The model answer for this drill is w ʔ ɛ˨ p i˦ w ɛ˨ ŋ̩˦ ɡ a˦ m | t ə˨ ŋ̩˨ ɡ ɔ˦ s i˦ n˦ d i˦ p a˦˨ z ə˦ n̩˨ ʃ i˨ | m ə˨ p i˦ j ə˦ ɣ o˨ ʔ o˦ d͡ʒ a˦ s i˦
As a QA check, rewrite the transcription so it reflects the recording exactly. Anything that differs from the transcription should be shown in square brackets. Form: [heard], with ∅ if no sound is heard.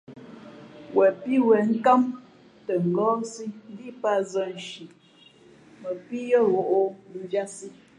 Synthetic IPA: w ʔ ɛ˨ p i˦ w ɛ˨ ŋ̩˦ [k] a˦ m | t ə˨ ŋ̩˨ ɡ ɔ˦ s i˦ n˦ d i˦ p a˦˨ z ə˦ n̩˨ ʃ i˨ | m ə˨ p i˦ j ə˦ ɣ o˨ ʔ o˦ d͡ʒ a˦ s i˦